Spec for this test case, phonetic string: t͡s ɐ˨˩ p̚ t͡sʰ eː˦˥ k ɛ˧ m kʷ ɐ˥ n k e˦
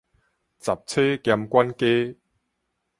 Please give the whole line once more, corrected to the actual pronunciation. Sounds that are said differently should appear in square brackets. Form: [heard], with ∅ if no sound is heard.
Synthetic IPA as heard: t͡s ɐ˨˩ p̚ t͡sʰ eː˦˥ k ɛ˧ m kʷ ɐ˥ n k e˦